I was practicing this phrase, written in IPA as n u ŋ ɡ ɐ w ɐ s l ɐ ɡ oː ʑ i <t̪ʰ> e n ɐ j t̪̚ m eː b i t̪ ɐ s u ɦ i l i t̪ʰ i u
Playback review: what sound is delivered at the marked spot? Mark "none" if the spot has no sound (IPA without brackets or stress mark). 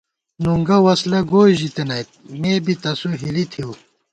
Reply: t̪